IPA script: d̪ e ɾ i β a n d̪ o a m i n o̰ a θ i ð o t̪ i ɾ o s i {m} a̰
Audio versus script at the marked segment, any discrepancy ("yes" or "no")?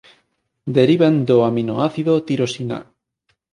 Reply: yes